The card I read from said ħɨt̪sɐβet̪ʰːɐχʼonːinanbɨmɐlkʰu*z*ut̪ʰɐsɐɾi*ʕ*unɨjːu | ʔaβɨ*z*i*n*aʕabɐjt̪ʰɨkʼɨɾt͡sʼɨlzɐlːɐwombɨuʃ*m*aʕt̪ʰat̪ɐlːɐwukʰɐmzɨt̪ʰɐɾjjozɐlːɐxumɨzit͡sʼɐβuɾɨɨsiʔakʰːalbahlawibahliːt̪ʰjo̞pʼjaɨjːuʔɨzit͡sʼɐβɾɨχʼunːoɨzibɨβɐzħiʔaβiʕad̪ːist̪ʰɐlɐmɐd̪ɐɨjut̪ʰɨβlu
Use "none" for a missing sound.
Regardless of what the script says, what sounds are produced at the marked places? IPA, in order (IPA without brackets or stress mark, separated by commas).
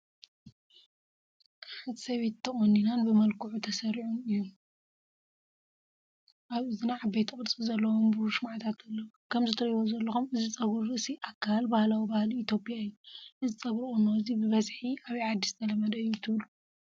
ʕ, ʕ, z, n, m